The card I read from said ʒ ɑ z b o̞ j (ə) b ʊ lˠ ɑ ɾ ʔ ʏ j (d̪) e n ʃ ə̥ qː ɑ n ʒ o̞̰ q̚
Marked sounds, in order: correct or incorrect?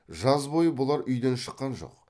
correct, correct

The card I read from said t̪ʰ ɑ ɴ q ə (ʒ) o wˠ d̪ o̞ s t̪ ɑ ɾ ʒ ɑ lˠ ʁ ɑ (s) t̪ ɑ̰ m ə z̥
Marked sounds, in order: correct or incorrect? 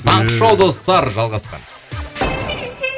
incorrect: ʃ, correct

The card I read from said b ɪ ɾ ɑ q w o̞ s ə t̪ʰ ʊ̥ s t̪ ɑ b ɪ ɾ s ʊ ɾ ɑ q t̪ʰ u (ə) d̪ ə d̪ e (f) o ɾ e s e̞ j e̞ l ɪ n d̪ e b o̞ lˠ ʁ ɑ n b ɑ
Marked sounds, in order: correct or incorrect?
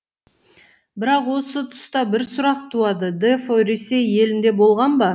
incorrect: ɑ, correct

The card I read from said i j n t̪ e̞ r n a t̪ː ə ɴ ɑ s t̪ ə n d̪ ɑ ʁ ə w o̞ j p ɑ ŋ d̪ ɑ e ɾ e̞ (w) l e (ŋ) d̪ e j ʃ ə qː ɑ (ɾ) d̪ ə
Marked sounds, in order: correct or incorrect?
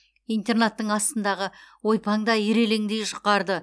incorrect: none, correct, correct

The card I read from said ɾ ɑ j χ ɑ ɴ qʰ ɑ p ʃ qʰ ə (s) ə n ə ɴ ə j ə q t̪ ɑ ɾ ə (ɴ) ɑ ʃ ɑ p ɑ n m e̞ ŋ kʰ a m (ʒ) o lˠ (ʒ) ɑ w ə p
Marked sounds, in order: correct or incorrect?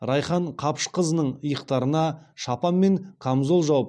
incorrect: z, incorrect: n, incorrect: z, correct

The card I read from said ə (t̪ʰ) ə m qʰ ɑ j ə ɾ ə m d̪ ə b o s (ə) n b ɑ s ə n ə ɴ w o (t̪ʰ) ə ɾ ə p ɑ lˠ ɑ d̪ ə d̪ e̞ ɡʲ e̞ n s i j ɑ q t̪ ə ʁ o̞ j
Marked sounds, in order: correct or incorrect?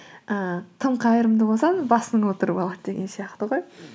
correct, incorrect: ɑ, incorrect: t̪

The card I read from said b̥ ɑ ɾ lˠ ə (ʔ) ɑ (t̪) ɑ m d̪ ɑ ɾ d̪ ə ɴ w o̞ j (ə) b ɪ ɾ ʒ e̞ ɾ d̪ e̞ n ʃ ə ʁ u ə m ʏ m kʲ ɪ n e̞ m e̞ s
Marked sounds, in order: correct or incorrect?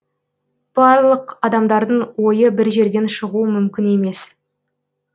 incorrect: q, incorrect: d̪, correct

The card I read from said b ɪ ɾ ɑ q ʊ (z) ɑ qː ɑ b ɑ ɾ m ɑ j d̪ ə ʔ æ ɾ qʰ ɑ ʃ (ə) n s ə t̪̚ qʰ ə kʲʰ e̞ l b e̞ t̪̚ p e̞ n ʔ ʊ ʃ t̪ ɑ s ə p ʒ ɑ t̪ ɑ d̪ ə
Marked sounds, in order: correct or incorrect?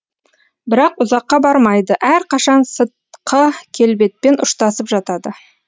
correct, incorrect: ɑ

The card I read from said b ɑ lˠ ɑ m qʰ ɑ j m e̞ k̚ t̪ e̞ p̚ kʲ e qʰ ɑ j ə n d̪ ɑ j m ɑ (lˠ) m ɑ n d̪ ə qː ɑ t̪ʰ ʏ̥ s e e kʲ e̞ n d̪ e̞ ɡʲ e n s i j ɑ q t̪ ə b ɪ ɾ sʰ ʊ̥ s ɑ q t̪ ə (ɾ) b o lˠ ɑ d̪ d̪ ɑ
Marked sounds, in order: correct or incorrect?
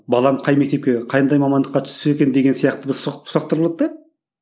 incorrect: none, correct

